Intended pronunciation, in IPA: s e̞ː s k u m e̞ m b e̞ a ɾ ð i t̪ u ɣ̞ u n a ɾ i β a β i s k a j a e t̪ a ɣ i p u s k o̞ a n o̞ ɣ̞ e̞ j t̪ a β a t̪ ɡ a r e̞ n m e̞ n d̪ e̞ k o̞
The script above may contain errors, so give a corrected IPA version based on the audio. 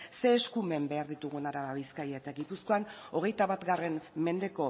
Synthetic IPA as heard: s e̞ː s k u m e̞ m b e̞ a ɾ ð i t̪ u ɣ̞ u n a ɾ a β a β i s k a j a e t̪ a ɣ i p u s k o̞ a n o̞ ɣ̞ e̞ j t̪ a β a t̪ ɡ a r e̞ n m e̞ n d̪ e̞ k o̞